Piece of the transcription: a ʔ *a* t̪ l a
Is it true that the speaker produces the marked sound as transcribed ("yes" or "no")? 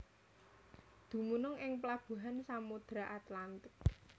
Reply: yes